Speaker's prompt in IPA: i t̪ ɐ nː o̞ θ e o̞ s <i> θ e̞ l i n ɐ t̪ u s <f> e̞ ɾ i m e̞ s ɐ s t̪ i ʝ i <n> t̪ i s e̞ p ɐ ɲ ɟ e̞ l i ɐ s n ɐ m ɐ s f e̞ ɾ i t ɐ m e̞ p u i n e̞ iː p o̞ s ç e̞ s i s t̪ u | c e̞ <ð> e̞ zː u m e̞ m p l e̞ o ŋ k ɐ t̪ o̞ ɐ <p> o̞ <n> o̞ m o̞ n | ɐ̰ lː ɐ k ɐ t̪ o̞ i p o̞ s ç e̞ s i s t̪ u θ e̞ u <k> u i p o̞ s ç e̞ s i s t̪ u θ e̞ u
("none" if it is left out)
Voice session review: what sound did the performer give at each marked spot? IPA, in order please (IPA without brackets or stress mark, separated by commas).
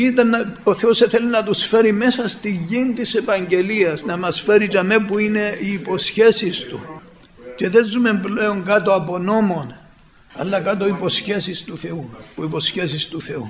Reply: e, f, n, ð, p, n, p